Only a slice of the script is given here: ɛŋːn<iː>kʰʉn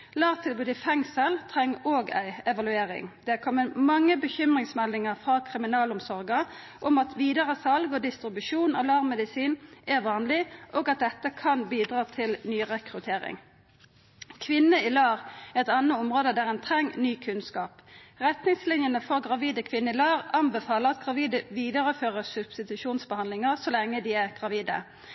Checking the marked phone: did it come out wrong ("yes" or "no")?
yes